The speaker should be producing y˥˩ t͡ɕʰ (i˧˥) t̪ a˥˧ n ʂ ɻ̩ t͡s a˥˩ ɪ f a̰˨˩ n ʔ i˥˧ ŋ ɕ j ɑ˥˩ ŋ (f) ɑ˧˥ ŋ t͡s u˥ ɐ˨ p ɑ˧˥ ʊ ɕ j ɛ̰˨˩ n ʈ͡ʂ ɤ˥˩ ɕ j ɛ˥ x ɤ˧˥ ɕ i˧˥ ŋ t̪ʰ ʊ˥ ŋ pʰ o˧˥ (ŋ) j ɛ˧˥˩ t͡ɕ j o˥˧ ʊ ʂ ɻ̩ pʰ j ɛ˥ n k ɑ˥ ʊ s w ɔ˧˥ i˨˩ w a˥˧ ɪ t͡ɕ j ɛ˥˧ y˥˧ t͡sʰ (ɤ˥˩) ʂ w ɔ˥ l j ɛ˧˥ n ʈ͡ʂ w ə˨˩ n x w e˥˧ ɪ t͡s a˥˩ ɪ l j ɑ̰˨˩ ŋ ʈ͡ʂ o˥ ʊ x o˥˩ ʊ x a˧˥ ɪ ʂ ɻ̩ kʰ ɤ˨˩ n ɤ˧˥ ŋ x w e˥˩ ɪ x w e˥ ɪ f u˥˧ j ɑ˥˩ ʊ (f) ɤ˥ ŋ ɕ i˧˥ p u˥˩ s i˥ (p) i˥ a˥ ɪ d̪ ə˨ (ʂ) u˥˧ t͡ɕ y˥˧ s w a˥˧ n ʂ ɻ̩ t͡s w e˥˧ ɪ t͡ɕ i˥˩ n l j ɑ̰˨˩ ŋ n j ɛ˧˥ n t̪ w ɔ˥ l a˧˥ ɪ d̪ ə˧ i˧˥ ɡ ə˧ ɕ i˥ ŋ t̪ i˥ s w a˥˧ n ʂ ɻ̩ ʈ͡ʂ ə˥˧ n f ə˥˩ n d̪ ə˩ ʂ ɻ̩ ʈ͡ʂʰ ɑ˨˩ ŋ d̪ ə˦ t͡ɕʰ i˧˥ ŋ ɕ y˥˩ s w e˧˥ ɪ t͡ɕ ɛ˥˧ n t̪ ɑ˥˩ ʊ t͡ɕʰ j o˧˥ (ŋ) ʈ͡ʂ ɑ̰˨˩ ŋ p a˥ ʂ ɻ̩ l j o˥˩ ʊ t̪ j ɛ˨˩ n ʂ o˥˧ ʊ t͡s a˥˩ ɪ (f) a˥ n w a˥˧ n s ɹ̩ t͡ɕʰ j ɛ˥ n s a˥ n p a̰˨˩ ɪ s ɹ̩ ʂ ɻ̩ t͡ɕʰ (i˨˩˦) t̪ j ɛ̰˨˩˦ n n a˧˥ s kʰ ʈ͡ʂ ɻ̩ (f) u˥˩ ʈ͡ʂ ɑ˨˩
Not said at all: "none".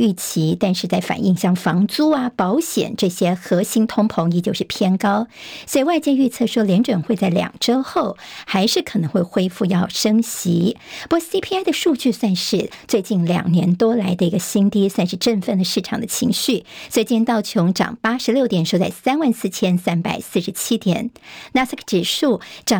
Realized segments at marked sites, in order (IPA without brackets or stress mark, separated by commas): i˧˥, f, ŋ, ɤ˥˩, ʂ, pʰ, ʂ, ŋ, s, i˥, ʂ